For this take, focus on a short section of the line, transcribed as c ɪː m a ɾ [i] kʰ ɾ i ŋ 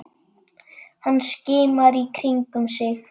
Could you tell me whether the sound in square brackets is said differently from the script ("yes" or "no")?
no